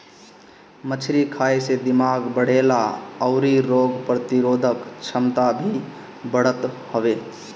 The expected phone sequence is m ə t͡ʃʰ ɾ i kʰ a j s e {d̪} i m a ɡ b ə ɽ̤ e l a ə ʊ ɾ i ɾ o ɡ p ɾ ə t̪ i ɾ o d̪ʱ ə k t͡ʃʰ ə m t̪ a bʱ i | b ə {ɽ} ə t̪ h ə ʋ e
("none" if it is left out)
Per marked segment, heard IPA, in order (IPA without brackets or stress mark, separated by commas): d̪, ɽ